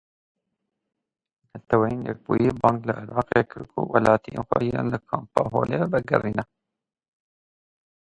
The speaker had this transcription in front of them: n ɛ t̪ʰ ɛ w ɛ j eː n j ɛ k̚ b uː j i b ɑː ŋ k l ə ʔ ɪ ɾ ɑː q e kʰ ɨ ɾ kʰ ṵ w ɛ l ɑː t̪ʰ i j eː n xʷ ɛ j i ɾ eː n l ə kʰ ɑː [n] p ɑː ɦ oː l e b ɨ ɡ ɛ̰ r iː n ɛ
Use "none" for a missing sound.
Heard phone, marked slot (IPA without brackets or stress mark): m